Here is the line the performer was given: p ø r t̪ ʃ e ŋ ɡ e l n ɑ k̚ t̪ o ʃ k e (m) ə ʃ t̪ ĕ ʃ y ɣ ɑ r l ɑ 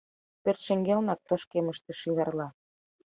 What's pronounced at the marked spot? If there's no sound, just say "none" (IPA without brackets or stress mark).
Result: m